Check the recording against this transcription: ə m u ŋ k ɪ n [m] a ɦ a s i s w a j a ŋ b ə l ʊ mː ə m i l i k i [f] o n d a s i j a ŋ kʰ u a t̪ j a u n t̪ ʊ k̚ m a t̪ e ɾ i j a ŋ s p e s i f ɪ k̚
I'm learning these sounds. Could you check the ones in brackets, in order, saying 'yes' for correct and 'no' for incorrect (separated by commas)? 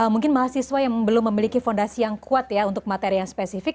yes, yes